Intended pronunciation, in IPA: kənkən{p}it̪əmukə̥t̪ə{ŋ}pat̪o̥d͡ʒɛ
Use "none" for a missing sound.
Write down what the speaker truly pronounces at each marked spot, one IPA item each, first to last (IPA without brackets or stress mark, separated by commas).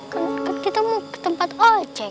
k, m